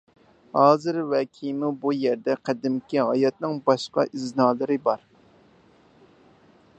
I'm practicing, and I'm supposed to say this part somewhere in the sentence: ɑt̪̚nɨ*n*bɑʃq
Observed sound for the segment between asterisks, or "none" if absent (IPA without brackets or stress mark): ŋ